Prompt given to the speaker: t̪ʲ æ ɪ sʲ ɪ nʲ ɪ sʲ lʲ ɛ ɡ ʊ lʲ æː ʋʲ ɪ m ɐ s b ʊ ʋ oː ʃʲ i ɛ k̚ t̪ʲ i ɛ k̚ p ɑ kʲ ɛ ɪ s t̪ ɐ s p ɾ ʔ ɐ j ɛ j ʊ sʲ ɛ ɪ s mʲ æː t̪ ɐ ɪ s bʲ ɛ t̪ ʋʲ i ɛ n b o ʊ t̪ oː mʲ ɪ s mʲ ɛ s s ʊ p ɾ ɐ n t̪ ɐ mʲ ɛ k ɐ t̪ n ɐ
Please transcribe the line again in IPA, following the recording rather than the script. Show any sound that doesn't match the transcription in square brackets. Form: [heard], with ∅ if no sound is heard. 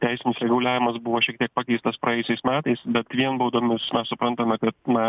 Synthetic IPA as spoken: t̪ʲ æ ɪ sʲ ɪ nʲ ɪ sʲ [ɾʲ] ɛ ɡ ʊ lʲ æː ʋʲ ɪ m ɐ s b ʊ ʋ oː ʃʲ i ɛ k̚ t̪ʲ i ɛ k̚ p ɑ kʲ ɛ ɪ s t̪ ɐ s p ɾ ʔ ɐ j ɛ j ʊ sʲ ɛ ɪ s mʲ æː t̪ ɐ ɪ s bʲ ɛ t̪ ʋʲ i ɛ n b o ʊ [d̪] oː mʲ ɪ s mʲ ɛ s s ʊ p ɾ ɐ n t̪ ɐ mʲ ɛ k ɐ t̪ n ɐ